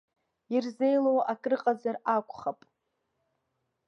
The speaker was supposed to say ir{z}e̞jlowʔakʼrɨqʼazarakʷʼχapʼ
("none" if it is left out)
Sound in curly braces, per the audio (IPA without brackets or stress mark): z